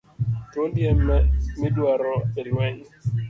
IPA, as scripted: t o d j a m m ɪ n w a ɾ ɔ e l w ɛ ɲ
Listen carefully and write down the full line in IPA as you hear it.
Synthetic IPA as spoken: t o d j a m m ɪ d w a ɾ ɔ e l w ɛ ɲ

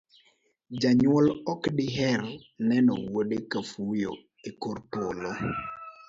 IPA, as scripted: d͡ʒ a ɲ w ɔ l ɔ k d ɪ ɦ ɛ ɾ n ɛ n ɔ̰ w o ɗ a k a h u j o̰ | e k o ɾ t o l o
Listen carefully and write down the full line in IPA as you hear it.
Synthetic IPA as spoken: d͡ʒ a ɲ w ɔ l ɔ k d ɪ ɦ ɛ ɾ n ɛ n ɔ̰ w o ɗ e k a f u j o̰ | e k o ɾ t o l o

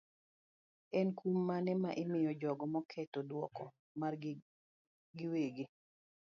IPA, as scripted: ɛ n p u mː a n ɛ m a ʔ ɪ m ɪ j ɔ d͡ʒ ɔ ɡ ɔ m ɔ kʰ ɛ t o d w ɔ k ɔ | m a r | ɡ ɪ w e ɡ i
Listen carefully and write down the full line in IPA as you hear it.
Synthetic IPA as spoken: ɛ n k u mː a n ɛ m a ʔ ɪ m ɪ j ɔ d͡ʒ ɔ ɡ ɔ m ɔ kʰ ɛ t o d w ɔ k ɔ | m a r | ɡ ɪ w e ɡ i

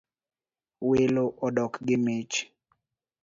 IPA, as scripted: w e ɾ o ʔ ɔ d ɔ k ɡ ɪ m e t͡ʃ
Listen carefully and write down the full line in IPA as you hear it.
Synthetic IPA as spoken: w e l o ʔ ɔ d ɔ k ɡ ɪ m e t͡ʃ

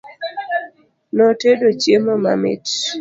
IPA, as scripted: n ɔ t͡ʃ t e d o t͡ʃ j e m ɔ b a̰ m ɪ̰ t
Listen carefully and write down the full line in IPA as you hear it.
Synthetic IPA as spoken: n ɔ t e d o t͡ʃ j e m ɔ m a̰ m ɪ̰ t

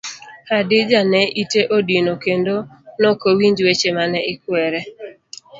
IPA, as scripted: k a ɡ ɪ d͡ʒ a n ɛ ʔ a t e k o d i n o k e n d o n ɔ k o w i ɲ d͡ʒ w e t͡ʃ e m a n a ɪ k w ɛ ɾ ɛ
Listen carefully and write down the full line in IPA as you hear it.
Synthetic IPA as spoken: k a d ɪ d͡ʒ a n ɛ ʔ i t e ʔ o d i n o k e n d o n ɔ k o w i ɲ d͡ʒ w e t͡ʃ e m a n ɛ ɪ k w ɛ ɾ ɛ

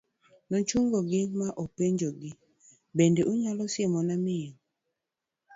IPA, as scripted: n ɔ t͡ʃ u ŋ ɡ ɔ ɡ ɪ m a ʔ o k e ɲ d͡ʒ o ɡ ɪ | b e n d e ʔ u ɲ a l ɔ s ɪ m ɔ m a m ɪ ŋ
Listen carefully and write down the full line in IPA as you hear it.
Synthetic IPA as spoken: n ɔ t͡ʃ u ŋ ɡ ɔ ɡ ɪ m a ʔ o p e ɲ d͡ʒ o ɡ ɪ | b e n d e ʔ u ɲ a l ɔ s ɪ m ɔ n a m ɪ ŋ

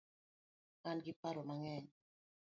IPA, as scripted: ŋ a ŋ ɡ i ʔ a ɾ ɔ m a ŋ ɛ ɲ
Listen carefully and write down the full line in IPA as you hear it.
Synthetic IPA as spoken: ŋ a n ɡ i p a ɾ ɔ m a ŋ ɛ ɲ

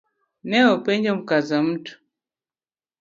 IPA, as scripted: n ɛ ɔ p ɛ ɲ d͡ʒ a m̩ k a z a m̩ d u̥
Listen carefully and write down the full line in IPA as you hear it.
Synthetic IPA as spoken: n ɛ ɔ p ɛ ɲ d͡ʒ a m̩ k a z a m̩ t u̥

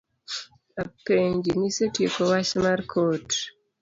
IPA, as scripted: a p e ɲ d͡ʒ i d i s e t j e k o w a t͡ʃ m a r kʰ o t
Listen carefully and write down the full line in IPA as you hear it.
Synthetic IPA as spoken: a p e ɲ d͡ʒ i n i s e t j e k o w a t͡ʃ m a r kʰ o t

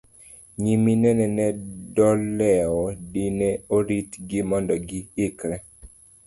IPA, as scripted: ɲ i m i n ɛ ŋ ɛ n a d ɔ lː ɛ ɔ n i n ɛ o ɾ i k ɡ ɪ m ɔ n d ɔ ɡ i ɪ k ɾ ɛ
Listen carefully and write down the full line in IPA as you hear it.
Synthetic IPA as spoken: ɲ i m i n ɛ n ɛ n ɛ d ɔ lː ɛ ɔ d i n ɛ o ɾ i t ɡ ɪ m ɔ n d ɔ ɡ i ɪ k ɾ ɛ

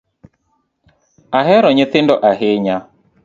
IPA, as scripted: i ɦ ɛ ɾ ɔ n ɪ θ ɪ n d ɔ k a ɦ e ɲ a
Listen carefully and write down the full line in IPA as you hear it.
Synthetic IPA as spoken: a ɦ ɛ ɾ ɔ ɲ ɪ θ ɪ n d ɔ ʔ a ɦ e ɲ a

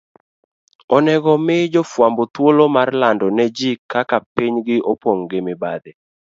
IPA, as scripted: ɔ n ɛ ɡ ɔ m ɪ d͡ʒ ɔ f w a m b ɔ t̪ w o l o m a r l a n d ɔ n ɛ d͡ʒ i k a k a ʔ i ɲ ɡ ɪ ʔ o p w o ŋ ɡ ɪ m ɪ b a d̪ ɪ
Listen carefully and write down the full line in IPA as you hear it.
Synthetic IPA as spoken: ɔ n ɛ ɡ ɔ m ɪ d͡ʒ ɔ f w a m b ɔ t̪ w o l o m a r l a n d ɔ n ɛ d͡ʒ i k a k a p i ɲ ɡ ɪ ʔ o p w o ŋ ɡ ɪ m ɪ b a d̪ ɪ

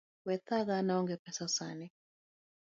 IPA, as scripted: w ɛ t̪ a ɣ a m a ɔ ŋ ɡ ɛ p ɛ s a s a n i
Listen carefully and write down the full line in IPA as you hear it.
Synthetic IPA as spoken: w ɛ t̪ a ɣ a n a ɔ ŋ ɡ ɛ p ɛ s a s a n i

